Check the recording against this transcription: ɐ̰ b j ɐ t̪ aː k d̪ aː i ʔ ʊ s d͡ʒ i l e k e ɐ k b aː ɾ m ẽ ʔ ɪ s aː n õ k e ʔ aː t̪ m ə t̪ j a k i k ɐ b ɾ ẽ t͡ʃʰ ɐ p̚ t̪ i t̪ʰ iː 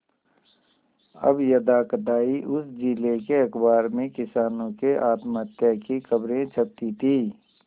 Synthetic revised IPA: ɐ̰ b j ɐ d̪ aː k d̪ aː i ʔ ʊ s d͡ʒ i l e k e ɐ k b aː ɾ m ẽ k ɪ s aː n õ k e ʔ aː t̪ m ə t̪ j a k i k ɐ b ɾ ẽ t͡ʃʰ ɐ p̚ t̪ i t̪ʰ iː